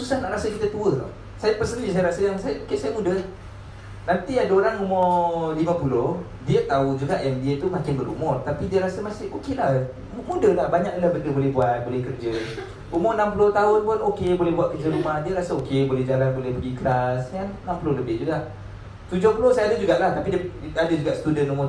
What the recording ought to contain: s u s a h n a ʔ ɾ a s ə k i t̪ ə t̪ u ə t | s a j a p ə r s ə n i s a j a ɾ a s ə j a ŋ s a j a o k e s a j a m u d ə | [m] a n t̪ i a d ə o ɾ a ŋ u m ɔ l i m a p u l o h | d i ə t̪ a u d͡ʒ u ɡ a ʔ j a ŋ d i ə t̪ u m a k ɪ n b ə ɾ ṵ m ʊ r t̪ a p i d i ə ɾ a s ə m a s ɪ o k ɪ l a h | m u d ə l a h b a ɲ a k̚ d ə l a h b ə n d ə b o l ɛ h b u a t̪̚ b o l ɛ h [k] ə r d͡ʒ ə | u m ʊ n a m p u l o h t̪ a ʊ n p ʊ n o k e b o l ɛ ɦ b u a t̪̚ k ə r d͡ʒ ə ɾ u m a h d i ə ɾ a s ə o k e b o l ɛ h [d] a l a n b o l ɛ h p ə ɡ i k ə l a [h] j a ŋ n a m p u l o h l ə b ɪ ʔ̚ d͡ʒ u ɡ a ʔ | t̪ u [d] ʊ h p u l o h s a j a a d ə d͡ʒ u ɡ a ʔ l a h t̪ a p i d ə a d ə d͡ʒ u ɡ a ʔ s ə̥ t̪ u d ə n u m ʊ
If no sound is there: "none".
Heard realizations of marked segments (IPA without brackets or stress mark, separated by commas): n, k, d͡ʒ, s, d͡ʒ